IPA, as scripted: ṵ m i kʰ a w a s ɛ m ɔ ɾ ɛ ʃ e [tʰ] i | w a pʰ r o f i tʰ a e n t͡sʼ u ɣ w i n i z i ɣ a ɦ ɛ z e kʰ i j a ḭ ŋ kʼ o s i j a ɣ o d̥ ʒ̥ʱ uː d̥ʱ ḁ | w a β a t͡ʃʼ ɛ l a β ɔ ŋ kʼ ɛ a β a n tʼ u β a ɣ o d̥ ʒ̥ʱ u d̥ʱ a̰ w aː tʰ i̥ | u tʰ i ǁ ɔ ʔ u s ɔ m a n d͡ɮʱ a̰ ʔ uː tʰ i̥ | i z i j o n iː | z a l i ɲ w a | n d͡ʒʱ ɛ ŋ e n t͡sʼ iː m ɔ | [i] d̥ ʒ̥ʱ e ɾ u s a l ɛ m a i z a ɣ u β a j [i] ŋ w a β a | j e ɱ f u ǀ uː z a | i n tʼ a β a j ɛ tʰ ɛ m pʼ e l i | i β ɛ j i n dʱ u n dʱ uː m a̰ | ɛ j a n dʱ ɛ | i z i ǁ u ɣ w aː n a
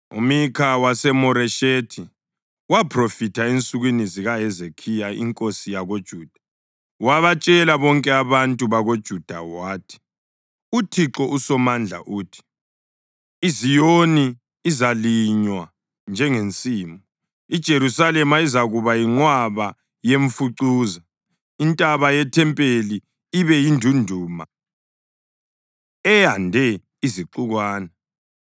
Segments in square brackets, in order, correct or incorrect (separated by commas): correct, correct, correct